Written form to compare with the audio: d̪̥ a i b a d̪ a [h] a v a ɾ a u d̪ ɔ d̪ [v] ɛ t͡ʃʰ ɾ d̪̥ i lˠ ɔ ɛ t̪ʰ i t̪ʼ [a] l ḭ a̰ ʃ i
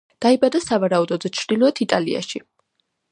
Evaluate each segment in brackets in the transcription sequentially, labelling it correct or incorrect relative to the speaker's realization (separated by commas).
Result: incorrect, incorrect, correct